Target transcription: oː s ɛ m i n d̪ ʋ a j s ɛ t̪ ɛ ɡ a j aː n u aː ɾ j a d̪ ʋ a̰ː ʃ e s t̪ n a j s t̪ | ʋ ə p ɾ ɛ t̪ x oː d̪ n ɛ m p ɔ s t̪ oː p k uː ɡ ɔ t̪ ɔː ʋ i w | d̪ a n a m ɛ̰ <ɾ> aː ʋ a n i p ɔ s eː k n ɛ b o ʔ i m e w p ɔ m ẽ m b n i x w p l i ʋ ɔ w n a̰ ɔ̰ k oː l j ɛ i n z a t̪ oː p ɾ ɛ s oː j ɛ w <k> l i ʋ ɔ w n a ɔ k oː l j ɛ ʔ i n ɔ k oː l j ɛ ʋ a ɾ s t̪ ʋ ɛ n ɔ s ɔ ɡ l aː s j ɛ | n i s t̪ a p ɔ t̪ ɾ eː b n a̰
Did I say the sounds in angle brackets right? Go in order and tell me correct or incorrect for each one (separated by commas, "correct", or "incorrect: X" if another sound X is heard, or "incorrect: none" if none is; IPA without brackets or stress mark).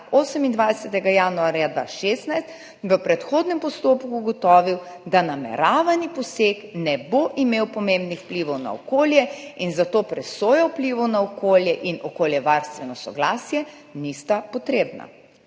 correct, incorrect: p